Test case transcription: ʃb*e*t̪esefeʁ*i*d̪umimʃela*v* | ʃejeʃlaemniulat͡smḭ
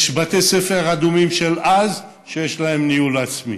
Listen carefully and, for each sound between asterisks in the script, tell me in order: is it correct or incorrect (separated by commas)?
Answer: incorrect, incorrect, incorrect